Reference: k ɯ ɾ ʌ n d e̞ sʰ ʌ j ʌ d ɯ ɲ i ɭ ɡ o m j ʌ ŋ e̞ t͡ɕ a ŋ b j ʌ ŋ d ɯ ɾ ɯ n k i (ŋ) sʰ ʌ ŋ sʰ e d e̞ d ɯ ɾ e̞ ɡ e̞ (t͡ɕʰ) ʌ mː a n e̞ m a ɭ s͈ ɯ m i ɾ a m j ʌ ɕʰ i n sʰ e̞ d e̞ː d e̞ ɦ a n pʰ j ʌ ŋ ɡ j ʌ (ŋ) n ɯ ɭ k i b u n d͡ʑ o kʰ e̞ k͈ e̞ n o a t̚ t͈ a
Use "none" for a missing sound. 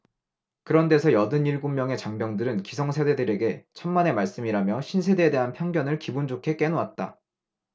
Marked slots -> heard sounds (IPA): none, t͡ɕʰ, none

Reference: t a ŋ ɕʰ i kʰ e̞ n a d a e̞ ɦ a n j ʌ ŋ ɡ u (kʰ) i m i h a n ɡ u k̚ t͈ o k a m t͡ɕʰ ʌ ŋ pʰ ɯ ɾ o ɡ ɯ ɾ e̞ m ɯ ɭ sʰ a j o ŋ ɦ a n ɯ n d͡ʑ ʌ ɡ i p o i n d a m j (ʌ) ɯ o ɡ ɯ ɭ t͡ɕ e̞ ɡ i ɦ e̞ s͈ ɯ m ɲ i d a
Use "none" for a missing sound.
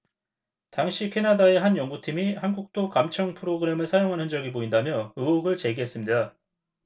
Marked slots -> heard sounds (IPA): tʰ, ʌ

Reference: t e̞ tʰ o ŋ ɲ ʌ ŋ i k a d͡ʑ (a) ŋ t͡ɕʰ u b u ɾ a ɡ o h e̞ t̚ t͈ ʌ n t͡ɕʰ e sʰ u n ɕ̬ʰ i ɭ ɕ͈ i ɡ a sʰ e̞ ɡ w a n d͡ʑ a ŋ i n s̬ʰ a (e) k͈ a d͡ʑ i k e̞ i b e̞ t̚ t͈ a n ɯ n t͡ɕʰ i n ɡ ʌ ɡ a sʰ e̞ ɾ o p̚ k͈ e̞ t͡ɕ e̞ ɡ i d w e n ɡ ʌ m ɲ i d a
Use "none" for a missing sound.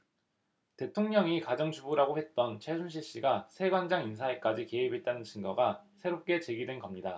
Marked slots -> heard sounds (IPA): ʌ, e

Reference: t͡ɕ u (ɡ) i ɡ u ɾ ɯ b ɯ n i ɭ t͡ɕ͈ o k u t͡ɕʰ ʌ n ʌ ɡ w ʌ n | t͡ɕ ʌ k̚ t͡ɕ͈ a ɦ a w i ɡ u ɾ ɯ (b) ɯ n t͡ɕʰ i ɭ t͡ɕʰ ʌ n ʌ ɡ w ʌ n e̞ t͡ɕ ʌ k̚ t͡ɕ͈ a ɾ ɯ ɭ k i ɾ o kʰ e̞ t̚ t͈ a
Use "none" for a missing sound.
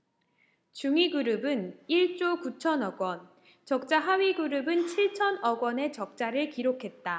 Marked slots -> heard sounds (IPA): ŋ, b

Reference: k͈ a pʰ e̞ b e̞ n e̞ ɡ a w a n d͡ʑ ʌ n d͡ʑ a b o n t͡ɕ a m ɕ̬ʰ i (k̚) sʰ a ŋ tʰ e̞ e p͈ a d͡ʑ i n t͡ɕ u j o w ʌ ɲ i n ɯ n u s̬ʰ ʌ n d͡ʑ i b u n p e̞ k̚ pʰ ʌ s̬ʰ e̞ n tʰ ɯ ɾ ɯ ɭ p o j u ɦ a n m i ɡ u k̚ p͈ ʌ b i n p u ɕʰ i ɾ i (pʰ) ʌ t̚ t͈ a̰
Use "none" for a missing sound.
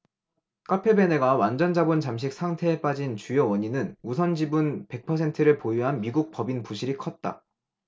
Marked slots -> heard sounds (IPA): k̚, kʰ

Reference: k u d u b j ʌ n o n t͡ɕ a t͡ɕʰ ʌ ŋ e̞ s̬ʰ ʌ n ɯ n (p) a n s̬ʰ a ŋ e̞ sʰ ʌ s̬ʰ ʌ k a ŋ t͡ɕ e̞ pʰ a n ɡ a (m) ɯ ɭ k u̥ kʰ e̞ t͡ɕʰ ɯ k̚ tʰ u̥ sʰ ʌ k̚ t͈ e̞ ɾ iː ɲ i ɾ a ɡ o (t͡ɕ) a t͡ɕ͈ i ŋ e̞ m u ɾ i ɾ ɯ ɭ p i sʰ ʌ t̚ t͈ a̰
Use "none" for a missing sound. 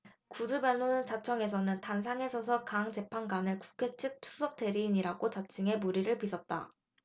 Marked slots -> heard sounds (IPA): t, n, t͡ɕ

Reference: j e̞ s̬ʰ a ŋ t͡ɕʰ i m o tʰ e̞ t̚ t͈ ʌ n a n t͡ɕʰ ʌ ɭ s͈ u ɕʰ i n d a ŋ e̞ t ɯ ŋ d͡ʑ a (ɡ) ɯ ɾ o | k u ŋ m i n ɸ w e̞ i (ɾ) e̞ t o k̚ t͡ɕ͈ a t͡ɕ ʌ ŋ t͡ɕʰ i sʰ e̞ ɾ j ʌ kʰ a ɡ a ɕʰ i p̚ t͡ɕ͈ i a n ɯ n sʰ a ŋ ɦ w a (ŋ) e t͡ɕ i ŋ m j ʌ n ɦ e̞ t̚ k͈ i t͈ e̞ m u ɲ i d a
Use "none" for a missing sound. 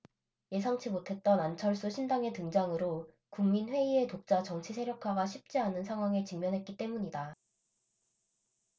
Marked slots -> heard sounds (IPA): ŋ, none, ŋ

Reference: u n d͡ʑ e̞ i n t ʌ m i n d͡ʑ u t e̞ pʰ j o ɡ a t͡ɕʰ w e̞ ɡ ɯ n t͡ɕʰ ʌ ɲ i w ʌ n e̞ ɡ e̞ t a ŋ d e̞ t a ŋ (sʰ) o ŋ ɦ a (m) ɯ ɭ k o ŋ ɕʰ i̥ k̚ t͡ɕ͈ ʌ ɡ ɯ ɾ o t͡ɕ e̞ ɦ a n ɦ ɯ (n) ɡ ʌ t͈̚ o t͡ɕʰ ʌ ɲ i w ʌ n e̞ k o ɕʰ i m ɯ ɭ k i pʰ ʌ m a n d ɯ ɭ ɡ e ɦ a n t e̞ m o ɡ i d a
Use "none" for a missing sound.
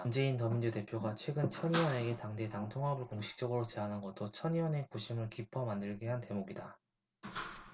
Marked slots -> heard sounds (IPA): tʰ, b, n

